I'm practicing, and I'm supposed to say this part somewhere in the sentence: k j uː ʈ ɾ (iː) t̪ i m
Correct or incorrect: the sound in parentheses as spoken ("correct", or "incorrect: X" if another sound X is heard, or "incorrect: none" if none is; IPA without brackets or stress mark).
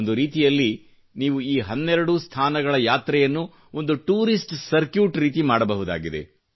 correct